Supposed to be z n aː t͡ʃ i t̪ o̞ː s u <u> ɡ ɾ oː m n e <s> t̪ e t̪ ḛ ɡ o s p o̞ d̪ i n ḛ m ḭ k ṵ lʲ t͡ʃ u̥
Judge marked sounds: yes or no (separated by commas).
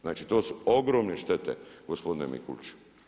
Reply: no, no